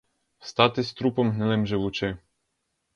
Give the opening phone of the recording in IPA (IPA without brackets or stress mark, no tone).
s